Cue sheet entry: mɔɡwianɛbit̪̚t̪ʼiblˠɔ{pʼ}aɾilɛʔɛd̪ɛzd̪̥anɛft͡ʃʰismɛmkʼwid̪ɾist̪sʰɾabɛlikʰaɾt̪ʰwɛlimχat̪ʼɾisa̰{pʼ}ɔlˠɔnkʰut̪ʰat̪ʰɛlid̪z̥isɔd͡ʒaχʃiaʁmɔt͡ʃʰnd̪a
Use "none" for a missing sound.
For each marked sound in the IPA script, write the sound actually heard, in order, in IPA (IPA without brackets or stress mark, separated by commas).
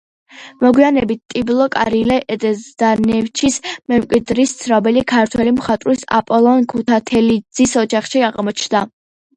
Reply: kʼ, pʼ